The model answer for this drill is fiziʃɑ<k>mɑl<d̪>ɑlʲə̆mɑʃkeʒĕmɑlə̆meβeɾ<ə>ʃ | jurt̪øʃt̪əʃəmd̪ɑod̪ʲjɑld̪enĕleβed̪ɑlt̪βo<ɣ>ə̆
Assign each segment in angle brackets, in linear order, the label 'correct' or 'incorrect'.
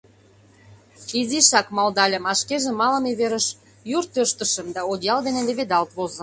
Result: correct, correct, correct, incorrect

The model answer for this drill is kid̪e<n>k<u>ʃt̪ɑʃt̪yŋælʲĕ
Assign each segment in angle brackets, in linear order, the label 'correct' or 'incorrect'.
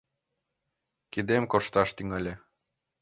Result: incorrect, incorrect

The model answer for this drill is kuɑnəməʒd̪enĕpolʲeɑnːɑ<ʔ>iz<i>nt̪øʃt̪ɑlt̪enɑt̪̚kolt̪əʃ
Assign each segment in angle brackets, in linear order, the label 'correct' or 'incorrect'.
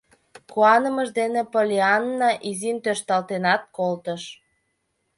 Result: correct, correct

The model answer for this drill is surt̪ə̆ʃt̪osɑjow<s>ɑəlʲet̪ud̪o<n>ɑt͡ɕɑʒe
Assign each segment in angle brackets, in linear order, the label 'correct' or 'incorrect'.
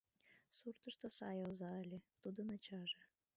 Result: incorrect, correct

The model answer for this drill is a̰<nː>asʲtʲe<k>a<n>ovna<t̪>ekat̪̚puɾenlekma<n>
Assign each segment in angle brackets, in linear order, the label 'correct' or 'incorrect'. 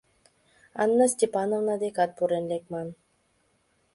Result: correct, incorrect, correct, incorrect, correct

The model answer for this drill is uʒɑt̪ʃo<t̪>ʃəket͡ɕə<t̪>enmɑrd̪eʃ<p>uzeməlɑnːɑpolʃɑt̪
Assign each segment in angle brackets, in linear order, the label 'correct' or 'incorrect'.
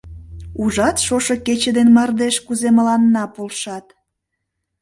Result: incorrect, incorrect, incorrect

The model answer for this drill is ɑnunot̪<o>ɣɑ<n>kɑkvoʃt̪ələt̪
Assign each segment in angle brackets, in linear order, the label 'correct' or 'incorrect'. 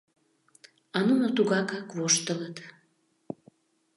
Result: incorrect, incorrect

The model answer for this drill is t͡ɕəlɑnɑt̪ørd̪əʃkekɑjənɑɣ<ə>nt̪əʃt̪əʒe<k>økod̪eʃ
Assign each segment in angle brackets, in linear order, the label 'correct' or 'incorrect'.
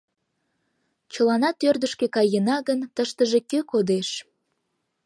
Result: correct, correct

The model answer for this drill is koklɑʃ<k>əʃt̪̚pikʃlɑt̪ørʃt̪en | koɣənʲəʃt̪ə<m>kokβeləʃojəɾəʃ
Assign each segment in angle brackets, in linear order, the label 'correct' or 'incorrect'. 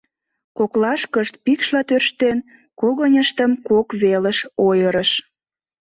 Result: correct, correct

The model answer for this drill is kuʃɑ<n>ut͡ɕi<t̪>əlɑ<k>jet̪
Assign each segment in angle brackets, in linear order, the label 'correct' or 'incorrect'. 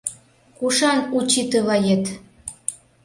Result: correct, correct, incorrect

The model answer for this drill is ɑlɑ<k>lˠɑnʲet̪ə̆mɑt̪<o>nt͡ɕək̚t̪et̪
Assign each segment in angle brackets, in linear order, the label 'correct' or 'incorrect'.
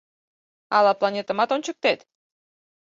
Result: incorrect, correct

